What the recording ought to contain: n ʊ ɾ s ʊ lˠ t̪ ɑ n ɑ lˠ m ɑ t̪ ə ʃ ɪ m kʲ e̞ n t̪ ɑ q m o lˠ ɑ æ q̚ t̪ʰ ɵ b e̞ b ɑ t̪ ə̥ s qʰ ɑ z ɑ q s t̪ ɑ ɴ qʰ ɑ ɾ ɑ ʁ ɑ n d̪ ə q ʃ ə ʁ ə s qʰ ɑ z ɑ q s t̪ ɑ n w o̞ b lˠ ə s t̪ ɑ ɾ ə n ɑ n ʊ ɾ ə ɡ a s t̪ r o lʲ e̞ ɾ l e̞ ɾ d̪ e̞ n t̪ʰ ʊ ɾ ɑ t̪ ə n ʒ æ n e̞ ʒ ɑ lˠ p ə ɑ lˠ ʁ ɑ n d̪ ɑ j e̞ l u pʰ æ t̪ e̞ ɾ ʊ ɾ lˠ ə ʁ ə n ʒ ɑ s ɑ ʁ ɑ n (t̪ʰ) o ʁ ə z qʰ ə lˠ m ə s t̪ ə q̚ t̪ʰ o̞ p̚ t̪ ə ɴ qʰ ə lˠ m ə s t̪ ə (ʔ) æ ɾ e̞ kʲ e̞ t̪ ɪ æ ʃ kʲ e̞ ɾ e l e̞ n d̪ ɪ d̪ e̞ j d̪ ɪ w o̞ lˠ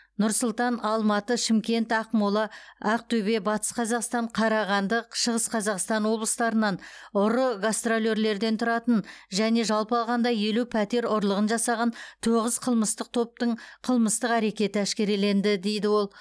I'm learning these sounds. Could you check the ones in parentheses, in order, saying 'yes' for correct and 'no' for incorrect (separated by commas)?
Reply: yes, no